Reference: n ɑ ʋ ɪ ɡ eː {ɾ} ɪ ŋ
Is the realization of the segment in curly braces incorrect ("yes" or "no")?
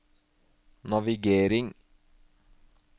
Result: no